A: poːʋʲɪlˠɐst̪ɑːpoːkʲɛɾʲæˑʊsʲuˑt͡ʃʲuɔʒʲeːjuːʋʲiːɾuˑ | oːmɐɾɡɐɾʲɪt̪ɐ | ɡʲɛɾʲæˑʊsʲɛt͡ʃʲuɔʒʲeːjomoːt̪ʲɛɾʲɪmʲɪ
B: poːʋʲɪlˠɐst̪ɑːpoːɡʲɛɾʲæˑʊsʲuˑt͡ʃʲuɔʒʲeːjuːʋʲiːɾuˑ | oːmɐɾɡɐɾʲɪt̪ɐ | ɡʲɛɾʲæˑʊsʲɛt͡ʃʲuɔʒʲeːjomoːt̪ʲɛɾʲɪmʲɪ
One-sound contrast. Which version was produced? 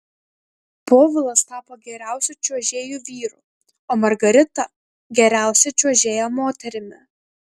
B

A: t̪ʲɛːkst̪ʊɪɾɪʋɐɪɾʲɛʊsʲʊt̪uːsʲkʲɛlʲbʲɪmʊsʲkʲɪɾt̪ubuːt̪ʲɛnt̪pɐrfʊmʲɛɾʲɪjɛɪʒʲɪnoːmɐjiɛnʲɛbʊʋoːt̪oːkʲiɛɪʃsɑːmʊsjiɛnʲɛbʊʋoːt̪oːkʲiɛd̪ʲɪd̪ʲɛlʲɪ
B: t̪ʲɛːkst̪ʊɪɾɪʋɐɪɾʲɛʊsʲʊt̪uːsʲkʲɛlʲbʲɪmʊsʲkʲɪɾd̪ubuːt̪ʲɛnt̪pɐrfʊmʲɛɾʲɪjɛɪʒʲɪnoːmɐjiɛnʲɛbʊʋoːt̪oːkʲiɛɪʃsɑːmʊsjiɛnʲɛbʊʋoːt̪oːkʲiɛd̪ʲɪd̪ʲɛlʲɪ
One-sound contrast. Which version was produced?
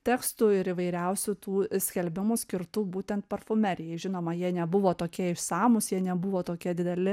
A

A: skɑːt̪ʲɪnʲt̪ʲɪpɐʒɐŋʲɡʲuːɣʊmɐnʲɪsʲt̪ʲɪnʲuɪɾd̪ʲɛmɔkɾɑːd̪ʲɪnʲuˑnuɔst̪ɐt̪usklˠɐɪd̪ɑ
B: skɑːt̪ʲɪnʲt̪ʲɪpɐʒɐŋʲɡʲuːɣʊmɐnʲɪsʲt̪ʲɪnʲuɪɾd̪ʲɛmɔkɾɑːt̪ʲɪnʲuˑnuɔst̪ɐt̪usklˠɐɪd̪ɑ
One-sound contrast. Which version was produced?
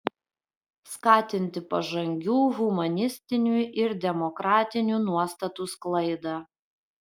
B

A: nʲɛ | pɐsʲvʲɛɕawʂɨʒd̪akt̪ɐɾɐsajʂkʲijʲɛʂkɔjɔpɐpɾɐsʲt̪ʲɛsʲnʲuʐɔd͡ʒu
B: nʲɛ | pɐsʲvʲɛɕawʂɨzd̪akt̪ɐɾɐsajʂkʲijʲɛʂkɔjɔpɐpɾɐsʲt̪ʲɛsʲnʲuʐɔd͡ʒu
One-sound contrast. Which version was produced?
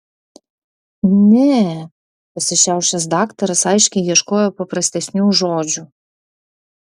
B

